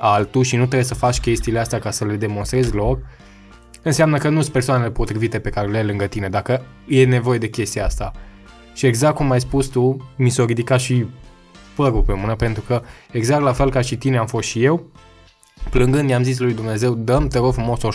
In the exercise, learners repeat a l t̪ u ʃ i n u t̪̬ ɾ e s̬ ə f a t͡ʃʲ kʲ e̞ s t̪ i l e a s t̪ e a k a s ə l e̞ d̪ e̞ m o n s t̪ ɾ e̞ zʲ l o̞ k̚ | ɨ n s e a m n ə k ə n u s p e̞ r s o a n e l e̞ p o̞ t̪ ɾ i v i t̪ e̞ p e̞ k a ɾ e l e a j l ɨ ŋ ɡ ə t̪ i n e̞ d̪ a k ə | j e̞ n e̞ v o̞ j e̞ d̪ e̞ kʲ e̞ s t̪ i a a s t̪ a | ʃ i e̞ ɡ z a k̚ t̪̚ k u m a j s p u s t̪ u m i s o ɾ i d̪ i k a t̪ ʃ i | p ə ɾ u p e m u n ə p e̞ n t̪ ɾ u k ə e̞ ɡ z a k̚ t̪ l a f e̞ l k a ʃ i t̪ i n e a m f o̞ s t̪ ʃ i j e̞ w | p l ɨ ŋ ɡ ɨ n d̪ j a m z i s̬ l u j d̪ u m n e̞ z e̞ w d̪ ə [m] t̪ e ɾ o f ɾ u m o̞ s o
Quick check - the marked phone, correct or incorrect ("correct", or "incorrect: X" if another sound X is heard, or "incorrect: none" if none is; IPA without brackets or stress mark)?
correct